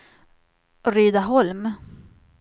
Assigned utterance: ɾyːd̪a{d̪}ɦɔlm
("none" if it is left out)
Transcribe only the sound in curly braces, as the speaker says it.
none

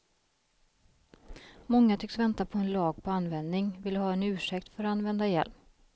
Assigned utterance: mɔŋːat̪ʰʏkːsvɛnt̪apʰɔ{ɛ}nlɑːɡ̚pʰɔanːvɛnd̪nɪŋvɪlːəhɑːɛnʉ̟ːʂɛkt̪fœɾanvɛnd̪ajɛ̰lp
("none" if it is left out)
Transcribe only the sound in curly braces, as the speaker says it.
ɛ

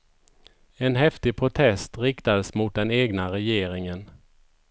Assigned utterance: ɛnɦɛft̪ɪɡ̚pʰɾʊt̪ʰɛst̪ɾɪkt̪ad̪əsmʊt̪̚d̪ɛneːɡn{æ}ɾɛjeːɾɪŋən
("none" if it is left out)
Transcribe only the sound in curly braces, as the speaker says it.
a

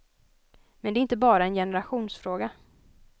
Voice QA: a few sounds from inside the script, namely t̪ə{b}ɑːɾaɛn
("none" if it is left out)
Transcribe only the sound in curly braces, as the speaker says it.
b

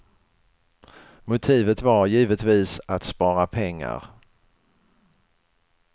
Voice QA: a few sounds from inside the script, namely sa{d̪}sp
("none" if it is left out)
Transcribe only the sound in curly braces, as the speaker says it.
t̪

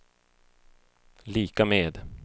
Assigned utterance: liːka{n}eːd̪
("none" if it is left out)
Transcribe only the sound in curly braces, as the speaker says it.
m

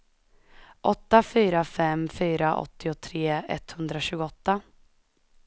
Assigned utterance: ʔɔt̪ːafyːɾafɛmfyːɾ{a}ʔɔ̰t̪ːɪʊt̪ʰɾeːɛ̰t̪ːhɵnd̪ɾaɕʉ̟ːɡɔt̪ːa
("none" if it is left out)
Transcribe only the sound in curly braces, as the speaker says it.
a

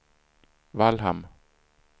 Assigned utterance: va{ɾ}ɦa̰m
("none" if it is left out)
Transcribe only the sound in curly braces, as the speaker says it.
l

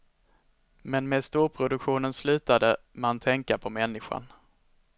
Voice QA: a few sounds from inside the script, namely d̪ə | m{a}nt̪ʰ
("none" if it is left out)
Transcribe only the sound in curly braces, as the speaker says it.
a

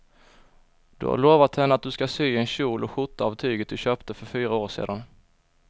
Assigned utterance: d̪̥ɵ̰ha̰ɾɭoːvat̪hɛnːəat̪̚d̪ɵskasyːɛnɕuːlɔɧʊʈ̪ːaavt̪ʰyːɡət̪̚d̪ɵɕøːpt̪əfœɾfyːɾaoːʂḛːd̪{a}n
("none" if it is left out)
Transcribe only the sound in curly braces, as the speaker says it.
a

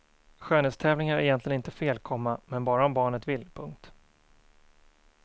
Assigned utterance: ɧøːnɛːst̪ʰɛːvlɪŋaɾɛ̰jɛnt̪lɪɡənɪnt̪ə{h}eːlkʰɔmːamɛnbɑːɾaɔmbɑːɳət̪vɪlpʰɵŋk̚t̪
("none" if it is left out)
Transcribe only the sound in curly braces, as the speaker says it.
f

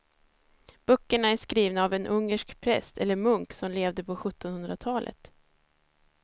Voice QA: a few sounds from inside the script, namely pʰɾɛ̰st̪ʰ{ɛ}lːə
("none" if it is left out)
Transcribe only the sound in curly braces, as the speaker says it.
ɛ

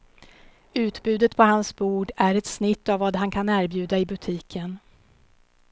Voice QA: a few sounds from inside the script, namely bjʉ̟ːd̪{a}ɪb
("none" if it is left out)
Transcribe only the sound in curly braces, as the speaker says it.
a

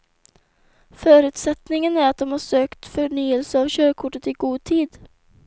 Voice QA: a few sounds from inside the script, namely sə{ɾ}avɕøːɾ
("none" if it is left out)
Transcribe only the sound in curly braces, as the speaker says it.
none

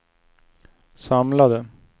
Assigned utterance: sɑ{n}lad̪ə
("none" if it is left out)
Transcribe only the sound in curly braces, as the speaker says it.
m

